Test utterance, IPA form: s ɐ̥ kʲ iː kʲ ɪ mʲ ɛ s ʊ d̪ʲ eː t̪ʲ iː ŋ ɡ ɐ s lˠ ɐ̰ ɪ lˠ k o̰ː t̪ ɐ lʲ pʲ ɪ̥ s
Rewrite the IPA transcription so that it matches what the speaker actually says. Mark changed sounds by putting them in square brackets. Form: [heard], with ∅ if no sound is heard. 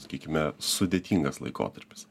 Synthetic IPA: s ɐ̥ kʲ iː kʲ ɪ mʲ ɛ s ʊ d̪ʲ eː t̪ʲ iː ŋ ɡ ɐ s lˠ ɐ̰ ɪ [∅] k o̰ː t̪ ɐ [ɾʲ] pʲ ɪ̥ s